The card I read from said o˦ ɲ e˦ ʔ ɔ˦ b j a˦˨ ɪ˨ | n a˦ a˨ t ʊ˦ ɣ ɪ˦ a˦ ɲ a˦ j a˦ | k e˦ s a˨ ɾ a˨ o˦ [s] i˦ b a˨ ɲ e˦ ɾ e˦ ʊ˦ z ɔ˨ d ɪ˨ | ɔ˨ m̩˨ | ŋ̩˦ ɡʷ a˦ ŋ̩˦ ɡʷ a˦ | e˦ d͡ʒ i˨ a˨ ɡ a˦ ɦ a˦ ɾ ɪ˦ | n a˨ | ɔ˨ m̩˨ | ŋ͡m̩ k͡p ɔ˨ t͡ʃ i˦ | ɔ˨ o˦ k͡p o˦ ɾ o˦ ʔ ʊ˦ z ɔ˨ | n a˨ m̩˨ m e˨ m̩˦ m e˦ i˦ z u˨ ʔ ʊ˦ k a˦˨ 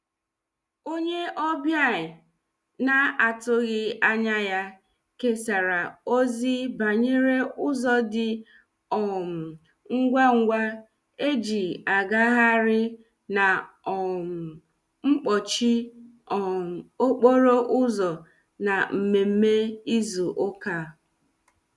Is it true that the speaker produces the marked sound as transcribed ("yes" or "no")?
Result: no